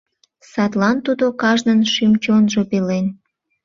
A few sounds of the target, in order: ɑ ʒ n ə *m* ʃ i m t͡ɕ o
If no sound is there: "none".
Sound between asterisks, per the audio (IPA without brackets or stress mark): n